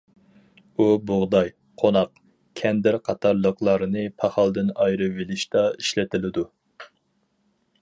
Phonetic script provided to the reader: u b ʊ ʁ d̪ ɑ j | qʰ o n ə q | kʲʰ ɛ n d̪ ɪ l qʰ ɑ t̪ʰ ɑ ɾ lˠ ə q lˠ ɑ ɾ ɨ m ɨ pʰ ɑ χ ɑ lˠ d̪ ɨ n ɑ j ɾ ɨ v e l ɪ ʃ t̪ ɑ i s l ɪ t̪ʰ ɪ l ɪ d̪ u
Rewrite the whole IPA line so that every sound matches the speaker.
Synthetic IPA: u b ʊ ʁ d̪ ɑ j | qʰ o n ɑ q | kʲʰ ɛ n d̪ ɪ ɾ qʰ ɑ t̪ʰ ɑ ɾ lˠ ə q lˠ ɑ ɾ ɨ n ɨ pʰ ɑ χ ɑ lˠ d̪ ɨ n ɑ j ɾ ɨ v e l ɪ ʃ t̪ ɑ i ʃ l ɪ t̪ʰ ɪ l ɪ d̪ u